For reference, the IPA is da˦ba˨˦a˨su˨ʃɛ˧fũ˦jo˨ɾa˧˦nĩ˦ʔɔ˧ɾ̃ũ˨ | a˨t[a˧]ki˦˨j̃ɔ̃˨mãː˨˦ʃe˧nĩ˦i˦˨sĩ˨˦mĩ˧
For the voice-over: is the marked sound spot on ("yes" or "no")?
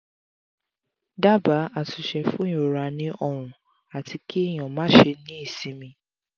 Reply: no